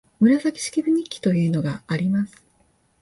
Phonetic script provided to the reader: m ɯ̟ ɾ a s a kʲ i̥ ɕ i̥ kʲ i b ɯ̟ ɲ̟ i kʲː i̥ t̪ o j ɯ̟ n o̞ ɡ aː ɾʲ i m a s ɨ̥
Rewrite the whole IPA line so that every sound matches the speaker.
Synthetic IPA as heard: m ɯ̟ ɾ a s a kʲ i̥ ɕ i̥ kʲ i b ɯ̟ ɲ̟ i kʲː i̥ t̪ o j ɯ̟ː n o̞ ɡ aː ɾʲ i m a s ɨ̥